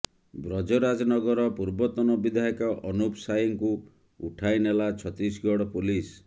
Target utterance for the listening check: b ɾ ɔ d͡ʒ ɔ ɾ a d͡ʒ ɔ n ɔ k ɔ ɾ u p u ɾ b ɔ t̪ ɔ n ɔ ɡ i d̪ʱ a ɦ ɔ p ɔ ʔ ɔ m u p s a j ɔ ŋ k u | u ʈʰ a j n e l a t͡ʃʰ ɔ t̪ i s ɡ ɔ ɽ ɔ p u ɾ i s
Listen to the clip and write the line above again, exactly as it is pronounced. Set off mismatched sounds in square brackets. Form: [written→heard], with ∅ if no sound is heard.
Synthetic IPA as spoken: b ɾ ɔ d͡ʒ ɔ ɾ a d͡ʒ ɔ n ɔ [k→ɡ] ɔ ɾ [u→ɔ] p u ɾ b ɔ t̪ ɔ n ɔ [ɡ→b] i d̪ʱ a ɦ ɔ [p→k] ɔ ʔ ɔ [m→n] u p s a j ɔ ŋ k u | u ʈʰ a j n e l a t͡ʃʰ ɔ t̪ i s ɡ ɔ ɽ ɔ p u [ɾ→l] i s